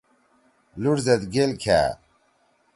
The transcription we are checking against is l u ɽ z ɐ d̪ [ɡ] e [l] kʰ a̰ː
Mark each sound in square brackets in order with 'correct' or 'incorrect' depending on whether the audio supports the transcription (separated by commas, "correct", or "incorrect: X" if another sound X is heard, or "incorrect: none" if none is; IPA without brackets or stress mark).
correct, correct